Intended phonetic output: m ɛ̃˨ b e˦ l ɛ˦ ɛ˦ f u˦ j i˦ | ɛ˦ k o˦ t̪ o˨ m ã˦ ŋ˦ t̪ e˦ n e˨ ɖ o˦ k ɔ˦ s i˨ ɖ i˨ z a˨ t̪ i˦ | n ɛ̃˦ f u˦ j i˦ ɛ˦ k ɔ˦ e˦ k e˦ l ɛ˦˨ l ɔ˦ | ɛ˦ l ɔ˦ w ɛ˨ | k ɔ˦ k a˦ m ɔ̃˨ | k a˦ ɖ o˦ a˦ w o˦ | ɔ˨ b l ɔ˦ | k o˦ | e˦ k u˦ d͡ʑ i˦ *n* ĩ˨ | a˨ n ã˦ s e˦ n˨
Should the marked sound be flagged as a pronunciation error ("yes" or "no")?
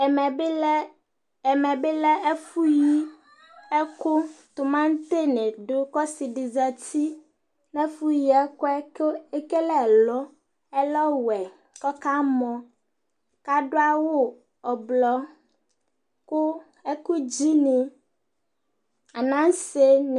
no